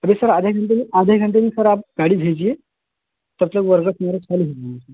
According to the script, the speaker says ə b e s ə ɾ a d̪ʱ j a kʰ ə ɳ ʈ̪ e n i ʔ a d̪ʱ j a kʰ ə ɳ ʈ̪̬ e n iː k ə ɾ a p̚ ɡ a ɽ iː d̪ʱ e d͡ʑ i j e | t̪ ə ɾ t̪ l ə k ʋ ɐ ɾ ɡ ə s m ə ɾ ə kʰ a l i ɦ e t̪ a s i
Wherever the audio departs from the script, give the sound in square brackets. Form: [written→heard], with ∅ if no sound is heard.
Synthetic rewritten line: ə b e s ə ɾ a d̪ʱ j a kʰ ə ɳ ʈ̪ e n i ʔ a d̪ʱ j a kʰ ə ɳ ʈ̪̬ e n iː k ə ɾ a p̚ ɡ a ɽ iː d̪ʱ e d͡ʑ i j e | t̪ ə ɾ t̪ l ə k ʋ [ɐ→ə] ɾ ɡ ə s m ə ɾ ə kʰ a l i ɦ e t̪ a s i

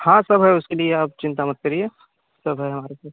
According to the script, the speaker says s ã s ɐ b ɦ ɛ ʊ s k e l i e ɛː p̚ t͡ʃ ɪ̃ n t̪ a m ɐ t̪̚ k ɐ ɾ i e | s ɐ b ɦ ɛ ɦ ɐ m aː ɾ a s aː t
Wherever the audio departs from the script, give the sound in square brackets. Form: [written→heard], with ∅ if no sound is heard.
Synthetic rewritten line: [s→h] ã s ɐ b ɦ ɛ ʊ s k e l i e [ɛː→aː] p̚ t͡ʃ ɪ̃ n t̪ a m ɐ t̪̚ k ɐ ɾ i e | s ɐ b ɦ ɛ ɦ ɐ m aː ɾ [a→e] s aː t

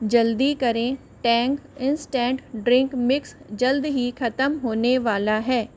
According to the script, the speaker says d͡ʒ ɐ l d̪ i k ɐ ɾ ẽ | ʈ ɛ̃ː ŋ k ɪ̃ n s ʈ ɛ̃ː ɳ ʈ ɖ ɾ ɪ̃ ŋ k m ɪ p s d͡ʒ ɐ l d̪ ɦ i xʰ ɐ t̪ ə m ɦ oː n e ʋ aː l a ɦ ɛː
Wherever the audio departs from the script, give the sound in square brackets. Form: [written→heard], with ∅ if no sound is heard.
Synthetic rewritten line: d͡ʒ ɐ l d̪ i k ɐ ɾ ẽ | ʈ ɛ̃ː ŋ k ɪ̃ n s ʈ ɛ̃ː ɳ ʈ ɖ ɾ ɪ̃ ŋ k m ɪ [p→k] s d͡ʒ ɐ l d̪ ɦ i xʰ ɐ t̪ ə m ɦ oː n e ʋ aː l a ɦ ɛː

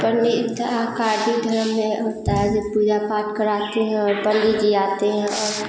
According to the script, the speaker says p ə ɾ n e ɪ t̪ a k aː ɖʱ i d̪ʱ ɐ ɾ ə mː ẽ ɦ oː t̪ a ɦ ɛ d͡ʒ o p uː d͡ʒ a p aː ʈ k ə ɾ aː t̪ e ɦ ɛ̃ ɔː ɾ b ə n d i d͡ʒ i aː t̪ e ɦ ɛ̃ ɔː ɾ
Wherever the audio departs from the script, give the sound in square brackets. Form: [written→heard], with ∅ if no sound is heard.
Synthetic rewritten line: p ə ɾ n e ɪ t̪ a k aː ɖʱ i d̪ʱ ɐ ɾ ə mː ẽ ɦ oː t̪ a ɦ ɛ d͡ʒ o p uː d͡ʒ a p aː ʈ k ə ɾ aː t̪ e ɦ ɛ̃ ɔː ɾ b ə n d i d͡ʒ i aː t̪ e ɦ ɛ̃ ɔː ɾ

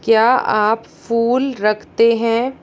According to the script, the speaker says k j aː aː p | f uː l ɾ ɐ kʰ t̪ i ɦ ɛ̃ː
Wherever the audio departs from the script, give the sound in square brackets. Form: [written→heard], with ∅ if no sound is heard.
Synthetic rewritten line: k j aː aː p | f uː l ɾ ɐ kʰ t̪ [i→e] ɦ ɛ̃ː

